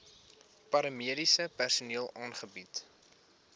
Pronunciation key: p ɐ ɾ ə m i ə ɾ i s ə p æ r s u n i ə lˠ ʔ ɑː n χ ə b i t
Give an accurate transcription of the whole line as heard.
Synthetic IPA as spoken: p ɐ ɾ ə m i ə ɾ i s ə p æ r s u n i ə lˠ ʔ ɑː n χ ə b i t